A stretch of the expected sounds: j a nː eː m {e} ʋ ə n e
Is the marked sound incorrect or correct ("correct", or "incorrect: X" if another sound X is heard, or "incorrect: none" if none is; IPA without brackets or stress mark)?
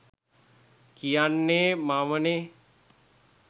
incorrect: a